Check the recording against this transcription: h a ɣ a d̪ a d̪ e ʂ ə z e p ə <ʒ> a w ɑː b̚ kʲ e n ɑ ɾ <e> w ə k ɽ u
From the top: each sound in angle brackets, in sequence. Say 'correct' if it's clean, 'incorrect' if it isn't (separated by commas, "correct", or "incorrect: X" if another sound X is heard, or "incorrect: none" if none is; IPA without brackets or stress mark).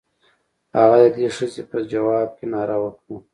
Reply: incorrect: d͡ʒ, incorrect: a